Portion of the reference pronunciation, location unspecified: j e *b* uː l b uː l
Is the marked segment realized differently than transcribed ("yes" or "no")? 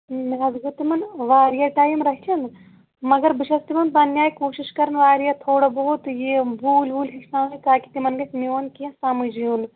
no